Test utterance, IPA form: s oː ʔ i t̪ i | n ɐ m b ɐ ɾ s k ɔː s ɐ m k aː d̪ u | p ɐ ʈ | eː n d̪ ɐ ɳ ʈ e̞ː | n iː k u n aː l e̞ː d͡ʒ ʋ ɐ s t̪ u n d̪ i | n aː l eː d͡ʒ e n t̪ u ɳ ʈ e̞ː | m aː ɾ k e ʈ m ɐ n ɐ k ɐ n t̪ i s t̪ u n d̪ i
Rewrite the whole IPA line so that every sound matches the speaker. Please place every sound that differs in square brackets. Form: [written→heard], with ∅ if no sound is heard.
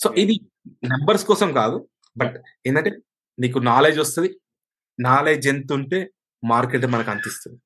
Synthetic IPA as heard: s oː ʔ i [t̪→d̪] i | n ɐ m b ɐ ɾ s k ɔː s ɐ m k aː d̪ u | [p→b] ɐ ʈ | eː n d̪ ɐ ɳ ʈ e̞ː | n iː k u n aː l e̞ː d͡ʒ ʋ ɐ s t̪ u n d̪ i | n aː l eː d͡ʒ e n t̪ u ɳ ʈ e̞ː | m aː ɾ k e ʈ m ɐ n ɐ k ɐ n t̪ i s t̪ u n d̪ i